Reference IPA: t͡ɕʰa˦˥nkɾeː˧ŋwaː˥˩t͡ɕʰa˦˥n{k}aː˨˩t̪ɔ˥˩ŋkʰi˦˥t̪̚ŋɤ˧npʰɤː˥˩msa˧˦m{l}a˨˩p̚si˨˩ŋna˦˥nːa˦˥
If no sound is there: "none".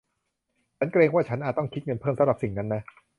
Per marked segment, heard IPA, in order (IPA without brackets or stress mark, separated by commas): ʔ, ɾ